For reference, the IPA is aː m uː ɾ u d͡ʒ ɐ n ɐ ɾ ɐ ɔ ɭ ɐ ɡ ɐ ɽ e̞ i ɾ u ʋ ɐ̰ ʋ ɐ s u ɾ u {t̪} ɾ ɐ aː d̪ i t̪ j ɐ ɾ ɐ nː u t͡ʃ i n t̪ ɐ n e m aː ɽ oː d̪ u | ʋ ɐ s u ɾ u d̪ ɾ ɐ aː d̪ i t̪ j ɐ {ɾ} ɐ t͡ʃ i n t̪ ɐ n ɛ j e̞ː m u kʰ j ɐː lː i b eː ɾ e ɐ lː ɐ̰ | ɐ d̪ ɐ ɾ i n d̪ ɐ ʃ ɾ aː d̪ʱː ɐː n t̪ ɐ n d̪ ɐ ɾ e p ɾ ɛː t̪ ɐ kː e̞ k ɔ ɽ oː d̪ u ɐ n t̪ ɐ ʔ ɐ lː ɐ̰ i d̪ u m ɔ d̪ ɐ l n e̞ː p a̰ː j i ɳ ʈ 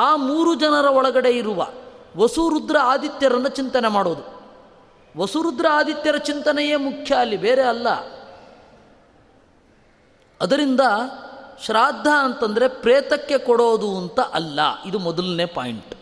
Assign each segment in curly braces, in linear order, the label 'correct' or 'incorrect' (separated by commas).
incorrect, correct